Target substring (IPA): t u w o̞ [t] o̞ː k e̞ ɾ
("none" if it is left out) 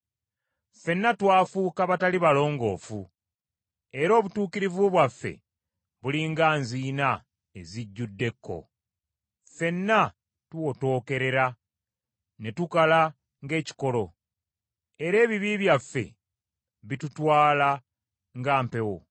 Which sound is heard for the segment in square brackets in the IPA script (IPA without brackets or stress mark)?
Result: t